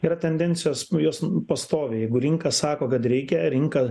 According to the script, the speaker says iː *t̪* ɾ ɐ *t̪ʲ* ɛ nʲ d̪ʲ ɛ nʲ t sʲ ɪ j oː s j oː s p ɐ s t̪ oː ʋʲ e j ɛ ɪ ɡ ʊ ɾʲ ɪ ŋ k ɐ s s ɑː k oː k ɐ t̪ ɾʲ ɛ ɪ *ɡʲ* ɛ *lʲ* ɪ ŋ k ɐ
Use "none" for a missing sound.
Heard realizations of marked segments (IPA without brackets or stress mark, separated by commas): none, t̪ʲ, kʲ, ɾʲ